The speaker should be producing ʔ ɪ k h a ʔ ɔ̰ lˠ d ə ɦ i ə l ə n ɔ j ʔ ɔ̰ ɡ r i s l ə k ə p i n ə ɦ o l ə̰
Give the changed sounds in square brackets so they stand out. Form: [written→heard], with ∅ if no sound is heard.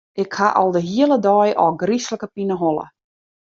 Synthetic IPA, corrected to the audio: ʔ ɪ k h a ʔ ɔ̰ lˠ d ə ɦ i ə l ə [n→d] ɔ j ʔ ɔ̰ ɡ r i s l ə k ə p i n ə ɦ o l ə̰